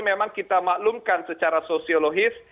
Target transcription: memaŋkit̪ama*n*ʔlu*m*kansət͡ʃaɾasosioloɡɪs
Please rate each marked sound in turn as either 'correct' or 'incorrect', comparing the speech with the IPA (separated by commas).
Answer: incorrect, correct